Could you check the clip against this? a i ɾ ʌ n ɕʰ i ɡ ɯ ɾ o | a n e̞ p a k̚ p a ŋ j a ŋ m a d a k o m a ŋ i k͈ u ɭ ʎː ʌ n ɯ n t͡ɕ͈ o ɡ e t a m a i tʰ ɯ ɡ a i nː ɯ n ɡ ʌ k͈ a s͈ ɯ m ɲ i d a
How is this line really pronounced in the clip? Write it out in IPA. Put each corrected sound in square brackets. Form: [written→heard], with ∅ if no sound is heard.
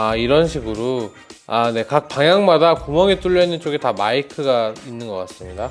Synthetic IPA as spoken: a i ɾ ʌ n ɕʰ i ɡ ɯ ɾ o | a n e̞ [p→k] a k̚ p a ŋ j a ŋ m a d a k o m [a→ʌ] ŋ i [k͈→t͈] u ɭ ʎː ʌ n ɯ n t͡ɕ͈ o ɡ e t a m a i [tʰ→kʰ] ɯ ɡ a i nː ɯ n ɡ ʌ k͈ a s͈ ɯ m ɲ i d a